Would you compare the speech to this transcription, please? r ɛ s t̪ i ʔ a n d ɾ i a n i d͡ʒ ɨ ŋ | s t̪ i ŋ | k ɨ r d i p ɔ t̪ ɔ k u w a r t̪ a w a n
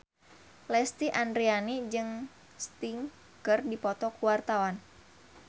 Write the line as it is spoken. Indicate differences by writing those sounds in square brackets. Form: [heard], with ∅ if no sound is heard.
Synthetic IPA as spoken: [l] ɛ s t̪ i ʔ a n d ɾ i a n i d͡ʒ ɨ ŋ | s t̪ i ŋ | k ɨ r d i p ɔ t̪ ɔ k u w a r t̪ a w a n